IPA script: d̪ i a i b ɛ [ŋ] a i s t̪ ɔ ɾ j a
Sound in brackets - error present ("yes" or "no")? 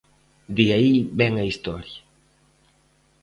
no